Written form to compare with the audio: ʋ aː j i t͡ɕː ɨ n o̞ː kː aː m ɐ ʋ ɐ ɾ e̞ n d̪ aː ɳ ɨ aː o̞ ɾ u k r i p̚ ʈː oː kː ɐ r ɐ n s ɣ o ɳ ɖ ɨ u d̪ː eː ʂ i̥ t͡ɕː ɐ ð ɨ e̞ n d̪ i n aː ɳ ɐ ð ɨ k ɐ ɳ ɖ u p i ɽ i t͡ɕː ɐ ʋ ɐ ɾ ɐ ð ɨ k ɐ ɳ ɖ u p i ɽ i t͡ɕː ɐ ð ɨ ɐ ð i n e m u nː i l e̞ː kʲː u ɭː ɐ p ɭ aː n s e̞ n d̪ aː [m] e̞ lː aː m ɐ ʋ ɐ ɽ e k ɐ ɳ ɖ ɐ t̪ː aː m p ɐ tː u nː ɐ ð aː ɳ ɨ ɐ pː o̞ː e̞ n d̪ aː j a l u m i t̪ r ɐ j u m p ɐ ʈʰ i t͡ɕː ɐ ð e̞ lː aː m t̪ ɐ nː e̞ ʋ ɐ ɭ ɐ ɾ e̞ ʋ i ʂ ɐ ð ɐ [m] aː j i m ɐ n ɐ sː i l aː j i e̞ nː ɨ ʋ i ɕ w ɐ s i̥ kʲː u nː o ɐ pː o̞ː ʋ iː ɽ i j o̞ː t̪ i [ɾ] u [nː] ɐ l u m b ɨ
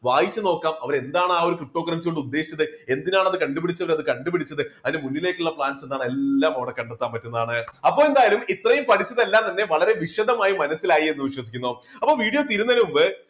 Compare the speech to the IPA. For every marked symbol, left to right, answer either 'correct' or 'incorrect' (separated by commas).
incorrect, correct, correct, correct